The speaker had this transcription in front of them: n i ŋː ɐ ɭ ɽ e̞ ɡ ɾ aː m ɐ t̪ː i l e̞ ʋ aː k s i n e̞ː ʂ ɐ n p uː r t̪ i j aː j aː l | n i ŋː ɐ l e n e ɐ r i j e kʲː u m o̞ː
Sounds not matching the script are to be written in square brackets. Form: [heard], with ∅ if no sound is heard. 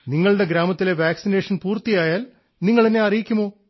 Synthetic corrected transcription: n i ŋː ɐ ɭ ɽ e̞ ɡ ɾ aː m ɐ t̪ː i l e̞ ʋ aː k s i n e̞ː ʂ ɐ n p uː r t̪ i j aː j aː l | n i ŋː ɐ [ɭ] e n e ɐ r i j [i] kʲː u m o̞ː